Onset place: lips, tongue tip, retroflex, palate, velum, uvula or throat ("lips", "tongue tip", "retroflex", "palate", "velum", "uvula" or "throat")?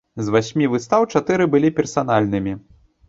tongue tip